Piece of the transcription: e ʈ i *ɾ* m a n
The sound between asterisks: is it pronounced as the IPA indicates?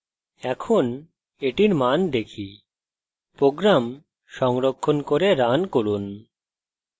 yes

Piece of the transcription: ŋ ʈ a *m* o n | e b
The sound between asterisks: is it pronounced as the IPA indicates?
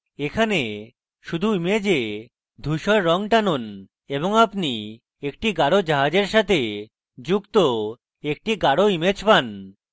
no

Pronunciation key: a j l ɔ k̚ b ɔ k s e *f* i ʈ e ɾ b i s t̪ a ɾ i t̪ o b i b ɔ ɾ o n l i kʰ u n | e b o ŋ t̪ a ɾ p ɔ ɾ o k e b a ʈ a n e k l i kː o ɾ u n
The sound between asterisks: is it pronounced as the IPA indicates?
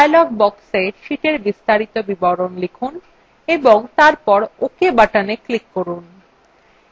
no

